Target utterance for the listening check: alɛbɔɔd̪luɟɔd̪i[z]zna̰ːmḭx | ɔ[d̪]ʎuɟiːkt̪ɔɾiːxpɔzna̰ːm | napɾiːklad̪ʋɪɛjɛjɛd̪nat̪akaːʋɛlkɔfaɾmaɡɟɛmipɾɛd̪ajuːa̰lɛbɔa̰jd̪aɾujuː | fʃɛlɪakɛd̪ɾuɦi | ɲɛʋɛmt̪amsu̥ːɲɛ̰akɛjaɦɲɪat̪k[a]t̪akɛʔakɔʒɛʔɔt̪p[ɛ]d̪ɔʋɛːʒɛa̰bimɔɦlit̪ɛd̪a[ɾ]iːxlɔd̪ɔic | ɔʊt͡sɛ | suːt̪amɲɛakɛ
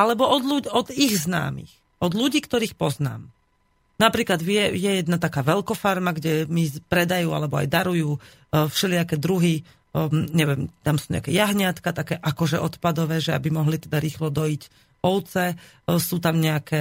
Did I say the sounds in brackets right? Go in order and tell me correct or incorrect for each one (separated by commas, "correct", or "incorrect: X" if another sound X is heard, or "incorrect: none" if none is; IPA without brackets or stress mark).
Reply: incorrect: ɣ, correct, correct, incorrect: a, correct